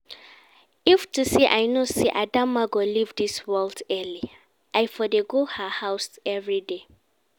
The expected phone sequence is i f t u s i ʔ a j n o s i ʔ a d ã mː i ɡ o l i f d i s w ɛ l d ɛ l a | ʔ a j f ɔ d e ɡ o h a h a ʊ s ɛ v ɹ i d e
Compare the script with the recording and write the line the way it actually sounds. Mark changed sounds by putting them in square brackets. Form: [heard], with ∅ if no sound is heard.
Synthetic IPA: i f t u s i ʔ a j n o s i ʔ a d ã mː [a] ɡ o l i [v] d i s w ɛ l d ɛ l [i] | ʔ a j f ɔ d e ɡ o h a h a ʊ s ɛ v ɹ i d e